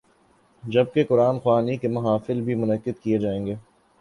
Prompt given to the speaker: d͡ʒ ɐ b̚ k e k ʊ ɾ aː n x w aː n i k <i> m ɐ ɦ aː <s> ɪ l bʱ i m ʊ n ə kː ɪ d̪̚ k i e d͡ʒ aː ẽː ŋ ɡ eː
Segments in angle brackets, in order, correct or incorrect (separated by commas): incorrect, incorrect